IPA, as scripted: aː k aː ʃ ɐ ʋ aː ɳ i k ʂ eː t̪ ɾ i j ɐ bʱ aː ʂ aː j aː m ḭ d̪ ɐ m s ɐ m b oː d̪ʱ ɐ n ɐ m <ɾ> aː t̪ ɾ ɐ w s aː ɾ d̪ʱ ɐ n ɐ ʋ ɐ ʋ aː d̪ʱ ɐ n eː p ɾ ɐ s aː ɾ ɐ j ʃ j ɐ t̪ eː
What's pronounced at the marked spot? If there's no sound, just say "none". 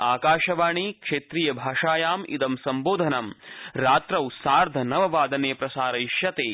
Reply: ɾ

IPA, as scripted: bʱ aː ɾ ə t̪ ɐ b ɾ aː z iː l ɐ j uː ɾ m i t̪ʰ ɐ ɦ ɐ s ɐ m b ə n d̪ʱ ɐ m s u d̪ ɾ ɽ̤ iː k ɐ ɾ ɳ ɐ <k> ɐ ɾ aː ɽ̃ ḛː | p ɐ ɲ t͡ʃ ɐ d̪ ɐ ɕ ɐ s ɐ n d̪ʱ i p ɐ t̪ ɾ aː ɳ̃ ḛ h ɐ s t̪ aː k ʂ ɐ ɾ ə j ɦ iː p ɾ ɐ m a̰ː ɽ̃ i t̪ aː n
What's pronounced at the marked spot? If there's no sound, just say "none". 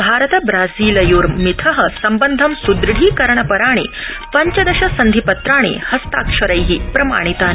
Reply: p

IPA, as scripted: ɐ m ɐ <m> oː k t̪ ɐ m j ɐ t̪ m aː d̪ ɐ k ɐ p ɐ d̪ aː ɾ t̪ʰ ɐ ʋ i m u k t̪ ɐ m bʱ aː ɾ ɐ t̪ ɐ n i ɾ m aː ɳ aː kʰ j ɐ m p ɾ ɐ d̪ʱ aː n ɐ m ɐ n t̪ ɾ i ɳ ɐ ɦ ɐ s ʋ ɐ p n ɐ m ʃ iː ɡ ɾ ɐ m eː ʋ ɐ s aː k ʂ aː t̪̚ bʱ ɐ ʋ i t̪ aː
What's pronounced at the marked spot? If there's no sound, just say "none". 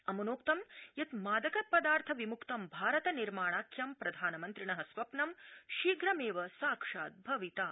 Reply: n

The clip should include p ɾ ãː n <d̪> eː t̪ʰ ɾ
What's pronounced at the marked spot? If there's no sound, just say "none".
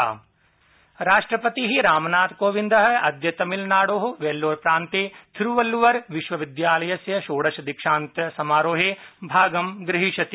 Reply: t̪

